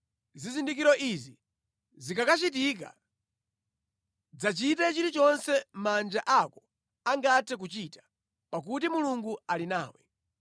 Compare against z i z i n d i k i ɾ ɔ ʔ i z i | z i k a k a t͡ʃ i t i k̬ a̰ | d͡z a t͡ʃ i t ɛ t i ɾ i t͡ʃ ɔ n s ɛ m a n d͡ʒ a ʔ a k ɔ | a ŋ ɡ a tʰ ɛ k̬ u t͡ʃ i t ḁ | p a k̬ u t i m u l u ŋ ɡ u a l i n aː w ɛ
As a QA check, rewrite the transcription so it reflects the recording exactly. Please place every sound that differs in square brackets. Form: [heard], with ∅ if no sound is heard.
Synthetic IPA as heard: z i z i n d i k i ɾ ɔ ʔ i z i | z i k a k a t͡ʃ i t i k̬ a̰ | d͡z a t͡ʃ i t ɛ [t͡ʃ] i ɾ i t͡ʃ ɔ n s ɛ m a n d͡ʒ a ʔ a k ɔ | a ŋ ɡ a tʰ ɛ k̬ u t͡ʃ i t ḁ | p a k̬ u t i m u l u ŋ ɡ u a l i n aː w ɛ